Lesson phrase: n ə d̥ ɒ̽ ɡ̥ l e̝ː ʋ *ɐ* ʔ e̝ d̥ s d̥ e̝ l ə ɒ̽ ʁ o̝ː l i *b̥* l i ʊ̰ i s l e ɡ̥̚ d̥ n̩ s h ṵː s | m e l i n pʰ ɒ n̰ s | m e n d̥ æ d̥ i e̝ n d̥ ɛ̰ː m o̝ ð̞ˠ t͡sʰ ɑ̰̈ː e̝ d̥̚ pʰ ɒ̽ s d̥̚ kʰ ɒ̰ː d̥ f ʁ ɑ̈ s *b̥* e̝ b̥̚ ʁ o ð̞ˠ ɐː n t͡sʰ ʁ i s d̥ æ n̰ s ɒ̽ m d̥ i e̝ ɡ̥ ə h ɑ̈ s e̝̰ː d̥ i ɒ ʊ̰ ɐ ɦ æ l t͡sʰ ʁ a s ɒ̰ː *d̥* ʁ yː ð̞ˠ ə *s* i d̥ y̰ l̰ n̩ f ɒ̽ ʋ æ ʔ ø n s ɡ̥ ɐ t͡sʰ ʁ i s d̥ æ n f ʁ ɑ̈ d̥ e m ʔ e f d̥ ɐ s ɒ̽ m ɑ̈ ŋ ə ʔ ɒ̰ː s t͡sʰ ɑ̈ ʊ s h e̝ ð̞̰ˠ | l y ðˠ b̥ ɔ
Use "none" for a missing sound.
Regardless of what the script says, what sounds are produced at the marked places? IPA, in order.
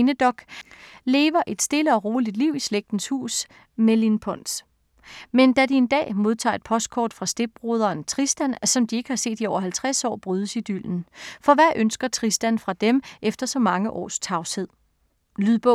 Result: ɐ, d̥, d̥, b̥, s

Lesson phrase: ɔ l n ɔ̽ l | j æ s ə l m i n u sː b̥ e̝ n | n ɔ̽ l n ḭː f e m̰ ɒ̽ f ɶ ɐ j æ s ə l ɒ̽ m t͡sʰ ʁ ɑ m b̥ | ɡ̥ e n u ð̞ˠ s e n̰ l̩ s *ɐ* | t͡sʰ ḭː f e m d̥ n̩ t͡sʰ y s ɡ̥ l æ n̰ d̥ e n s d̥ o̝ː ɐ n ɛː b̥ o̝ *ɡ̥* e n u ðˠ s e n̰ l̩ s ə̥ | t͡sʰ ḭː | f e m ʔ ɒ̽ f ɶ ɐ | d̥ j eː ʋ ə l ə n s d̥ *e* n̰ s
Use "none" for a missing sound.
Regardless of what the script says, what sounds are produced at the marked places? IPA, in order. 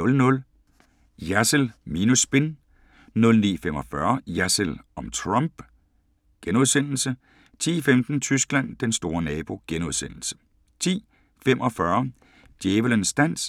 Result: ə, ɡ̥, æ

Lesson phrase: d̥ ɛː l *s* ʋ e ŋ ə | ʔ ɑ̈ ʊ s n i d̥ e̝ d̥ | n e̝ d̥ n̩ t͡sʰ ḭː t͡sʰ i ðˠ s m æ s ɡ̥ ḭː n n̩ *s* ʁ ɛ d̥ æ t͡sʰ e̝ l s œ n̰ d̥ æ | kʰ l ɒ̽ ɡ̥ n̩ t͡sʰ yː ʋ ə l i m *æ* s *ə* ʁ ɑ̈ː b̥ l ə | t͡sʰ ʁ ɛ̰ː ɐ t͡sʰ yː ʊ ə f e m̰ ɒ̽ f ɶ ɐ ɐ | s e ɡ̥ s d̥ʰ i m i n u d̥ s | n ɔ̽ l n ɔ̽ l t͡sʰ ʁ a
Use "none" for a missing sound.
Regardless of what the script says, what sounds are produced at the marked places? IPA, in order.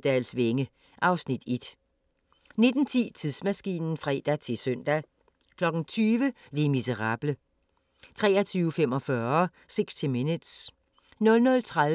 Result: s, f, i, ə

